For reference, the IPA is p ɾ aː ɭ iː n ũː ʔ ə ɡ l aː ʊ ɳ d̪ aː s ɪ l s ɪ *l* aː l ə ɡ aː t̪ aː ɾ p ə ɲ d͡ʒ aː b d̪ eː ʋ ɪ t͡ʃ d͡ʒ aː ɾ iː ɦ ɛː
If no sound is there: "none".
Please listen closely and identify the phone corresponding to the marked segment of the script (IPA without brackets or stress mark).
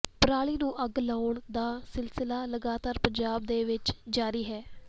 l